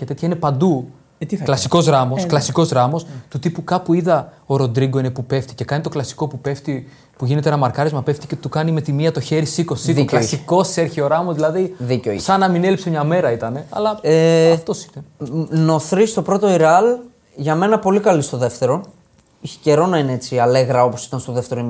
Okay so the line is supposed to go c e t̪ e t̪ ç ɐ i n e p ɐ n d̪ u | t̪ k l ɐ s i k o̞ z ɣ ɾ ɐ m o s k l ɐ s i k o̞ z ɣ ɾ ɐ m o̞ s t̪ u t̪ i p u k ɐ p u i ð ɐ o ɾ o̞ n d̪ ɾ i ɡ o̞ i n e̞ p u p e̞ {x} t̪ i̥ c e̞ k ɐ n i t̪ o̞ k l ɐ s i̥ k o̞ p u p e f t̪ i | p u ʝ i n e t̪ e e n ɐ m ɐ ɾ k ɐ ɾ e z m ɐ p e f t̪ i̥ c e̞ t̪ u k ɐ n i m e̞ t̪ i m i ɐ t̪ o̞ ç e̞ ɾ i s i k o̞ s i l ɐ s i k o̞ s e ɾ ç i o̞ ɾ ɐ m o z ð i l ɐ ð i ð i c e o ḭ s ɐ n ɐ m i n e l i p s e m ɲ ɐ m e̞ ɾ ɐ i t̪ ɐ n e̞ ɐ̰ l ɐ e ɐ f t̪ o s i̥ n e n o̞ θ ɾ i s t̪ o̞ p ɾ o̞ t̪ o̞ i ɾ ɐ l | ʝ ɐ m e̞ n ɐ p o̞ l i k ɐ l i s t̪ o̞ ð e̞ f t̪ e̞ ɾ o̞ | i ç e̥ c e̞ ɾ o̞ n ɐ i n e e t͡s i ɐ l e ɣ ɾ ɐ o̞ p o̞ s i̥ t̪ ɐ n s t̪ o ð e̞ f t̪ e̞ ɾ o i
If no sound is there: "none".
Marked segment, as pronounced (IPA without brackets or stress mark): f